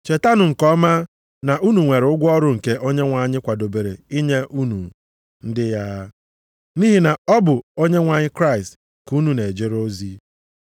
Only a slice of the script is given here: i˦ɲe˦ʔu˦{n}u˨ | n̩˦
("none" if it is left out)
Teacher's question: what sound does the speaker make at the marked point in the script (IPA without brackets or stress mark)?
n